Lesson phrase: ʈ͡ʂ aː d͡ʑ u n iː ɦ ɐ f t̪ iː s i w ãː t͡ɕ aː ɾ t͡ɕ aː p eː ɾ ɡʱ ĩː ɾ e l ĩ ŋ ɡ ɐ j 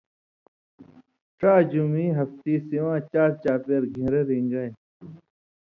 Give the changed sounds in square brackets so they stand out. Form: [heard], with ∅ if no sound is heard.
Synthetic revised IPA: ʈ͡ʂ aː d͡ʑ u [m] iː ɦ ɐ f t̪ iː s i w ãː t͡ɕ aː ɾ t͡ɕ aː p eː ɾ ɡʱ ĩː ɾ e [ɾ] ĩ ŋ ɡ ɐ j